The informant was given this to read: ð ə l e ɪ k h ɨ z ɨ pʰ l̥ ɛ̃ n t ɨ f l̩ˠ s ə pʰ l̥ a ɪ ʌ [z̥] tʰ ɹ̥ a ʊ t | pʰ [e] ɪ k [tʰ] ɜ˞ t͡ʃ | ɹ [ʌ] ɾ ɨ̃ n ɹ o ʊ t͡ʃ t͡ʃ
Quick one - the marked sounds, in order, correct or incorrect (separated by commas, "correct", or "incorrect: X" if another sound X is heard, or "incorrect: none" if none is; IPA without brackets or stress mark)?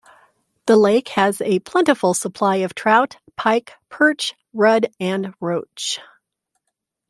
incorrect: v̥, incorrect: a, incorrect: pʰ, correct